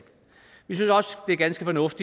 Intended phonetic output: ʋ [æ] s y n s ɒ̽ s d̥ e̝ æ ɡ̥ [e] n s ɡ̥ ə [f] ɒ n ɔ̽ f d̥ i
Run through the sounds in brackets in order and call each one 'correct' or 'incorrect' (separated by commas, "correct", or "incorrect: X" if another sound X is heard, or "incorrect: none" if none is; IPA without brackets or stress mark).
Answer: incorrect: i, incorrect: æ, correct